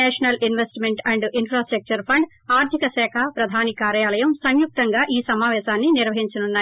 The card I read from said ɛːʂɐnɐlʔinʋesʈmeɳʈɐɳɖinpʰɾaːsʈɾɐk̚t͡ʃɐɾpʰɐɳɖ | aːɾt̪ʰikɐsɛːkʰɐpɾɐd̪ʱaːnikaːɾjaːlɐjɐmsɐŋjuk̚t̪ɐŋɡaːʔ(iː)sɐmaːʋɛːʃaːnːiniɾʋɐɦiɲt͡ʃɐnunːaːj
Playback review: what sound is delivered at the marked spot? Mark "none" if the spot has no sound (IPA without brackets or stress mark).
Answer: iː